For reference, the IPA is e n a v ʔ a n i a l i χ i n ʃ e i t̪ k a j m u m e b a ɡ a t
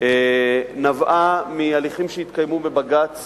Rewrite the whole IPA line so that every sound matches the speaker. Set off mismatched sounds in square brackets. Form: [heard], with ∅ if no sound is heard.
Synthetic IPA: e n a v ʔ a [m] i a l i χ i [m] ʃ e i t̪ k a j m u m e b a ɡ a [t͡s]

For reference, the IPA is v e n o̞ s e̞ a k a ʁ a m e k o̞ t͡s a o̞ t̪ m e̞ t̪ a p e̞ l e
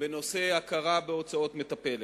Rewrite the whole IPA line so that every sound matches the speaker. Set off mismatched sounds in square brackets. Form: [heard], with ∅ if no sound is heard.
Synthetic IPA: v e n o̞ s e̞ a k a ʁ a [b] e [∅] o̞ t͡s a o̞ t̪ m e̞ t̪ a p e̞ l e

